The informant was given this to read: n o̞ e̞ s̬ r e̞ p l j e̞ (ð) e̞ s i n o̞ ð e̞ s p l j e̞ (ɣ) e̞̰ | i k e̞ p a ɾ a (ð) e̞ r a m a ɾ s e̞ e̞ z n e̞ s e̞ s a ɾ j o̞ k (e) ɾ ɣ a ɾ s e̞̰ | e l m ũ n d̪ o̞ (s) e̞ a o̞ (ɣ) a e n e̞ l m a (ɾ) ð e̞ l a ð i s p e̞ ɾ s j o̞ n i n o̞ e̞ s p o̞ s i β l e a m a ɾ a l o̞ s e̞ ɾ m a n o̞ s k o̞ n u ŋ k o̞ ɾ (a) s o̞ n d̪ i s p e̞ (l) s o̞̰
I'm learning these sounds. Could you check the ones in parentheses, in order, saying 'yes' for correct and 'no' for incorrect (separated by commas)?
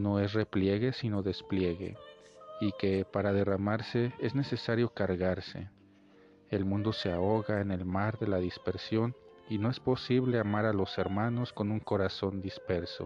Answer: no, yes, yes, no, yes, yes, yes, yes, no